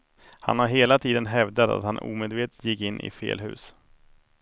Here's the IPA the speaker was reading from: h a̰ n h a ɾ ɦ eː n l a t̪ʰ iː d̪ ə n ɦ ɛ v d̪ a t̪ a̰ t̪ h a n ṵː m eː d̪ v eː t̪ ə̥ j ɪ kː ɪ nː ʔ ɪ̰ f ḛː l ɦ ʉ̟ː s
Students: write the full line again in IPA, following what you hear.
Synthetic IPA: h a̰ n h a ɾ ɦ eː l a t̪ʰ iː d̪ ə n ɦ ɛ v d̪ a t̪ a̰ t̪ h a n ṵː m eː d̪ v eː t̪ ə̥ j ɪ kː ɪ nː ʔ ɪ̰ f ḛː l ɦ ʉ̟ː s